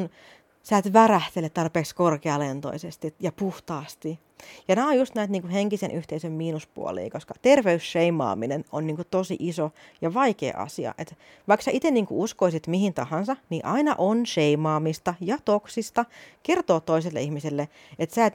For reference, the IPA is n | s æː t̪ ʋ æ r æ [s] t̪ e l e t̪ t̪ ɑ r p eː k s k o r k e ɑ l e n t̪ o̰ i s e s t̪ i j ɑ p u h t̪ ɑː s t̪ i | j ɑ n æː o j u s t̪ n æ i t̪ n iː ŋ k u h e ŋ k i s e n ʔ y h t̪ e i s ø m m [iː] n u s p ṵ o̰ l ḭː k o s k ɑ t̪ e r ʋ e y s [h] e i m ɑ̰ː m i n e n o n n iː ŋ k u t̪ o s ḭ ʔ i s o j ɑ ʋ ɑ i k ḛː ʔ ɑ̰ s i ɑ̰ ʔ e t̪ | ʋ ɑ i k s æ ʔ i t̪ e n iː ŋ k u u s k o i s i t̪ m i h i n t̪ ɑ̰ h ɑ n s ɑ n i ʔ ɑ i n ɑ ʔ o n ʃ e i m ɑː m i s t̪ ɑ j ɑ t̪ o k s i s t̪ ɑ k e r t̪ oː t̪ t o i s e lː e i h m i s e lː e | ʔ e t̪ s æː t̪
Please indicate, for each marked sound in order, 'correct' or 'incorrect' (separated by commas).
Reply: incorrect, correct, incorrect